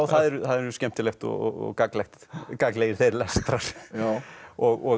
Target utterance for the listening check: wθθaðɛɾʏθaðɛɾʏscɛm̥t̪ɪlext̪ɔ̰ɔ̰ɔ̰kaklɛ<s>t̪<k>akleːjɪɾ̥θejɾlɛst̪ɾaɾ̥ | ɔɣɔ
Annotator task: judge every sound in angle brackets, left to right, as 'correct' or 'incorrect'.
incorrect: x, correct

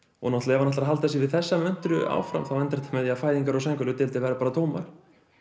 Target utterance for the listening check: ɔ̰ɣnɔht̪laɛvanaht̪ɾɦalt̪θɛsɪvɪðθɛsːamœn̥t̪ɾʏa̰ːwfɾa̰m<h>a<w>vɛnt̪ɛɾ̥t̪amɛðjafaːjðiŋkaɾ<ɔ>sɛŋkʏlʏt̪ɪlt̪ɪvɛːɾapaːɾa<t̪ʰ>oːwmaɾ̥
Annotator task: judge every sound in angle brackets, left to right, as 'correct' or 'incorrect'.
incorrect: θ, correct, correct, correct

